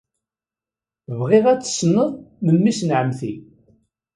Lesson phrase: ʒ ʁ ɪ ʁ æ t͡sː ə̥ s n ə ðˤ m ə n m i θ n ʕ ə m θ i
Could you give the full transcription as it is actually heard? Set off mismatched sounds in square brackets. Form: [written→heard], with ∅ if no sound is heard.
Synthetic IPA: [ʒ→v] ʁ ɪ ʁ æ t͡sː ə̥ s n ə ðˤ m ə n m i [θ→s] n ʕ ə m θ i